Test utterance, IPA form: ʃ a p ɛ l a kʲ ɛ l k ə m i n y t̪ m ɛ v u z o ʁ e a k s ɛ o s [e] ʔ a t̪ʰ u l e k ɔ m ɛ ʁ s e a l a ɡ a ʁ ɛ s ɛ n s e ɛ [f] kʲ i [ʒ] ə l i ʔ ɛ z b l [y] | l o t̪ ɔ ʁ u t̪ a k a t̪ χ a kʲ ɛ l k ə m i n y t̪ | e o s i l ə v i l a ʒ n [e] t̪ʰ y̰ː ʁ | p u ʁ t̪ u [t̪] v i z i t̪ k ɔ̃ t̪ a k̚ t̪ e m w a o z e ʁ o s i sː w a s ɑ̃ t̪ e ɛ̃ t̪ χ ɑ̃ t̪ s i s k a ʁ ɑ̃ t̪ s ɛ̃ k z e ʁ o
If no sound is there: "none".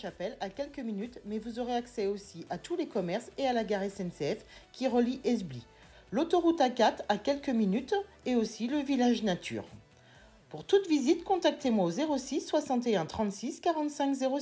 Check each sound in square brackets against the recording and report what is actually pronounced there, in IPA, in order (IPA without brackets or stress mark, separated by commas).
i, f, ʁ, i, a, t̪